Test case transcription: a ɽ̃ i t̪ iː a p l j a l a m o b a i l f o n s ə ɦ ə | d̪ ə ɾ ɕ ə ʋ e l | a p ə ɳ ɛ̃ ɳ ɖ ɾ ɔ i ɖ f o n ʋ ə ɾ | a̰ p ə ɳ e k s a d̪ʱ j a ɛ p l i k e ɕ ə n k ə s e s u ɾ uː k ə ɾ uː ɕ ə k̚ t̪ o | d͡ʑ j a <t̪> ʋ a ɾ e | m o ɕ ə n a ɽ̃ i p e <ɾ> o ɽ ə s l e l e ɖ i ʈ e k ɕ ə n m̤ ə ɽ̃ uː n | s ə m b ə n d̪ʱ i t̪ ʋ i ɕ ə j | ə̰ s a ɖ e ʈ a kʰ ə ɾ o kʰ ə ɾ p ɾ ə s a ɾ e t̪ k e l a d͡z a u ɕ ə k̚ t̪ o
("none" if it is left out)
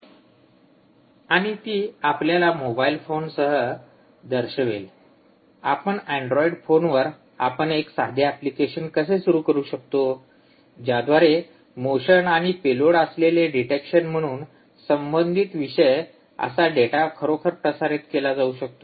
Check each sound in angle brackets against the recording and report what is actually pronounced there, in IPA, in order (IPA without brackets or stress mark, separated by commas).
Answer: d̪, l